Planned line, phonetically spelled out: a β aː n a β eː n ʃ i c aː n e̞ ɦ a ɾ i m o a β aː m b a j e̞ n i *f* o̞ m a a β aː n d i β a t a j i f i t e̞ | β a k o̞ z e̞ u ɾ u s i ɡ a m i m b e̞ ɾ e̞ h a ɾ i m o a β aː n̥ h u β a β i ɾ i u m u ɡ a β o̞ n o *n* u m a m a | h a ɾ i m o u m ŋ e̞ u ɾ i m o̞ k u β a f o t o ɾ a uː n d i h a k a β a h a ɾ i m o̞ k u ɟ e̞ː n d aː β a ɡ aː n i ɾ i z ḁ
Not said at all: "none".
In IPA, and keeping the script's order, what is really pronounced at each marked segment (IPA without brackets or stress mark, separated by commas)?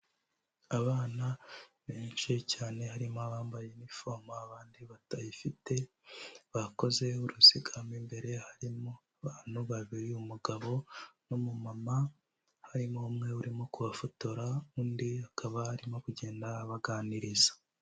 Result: f, m